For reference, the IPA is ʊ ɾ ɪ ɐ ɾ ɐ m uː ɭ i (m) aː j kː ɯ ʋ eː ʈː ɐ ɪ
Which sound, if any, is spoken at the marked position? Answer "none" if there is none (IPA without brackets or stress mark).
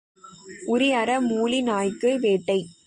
n